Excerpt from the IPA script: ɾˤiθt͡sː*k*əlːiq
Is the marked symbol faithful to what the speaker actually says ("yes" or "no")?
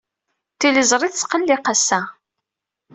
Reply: no